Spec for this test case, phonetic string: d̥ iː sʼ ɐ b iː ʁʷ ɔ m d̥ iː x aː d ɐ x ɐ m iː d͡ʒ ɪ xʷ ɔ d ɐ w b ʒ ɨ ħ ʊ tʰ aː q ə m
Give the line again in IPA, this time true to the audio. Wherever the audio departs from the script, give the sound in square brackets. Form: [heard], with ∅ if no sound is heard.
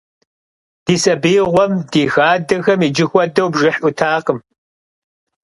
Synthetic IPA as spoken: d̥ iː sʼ ɐ b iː ʁʷ ɔ m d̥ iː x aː d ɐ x ɐ m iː d͡ʒ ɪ xʷ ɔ d ɐ w b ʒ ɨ ħ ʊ tʰ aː q ə m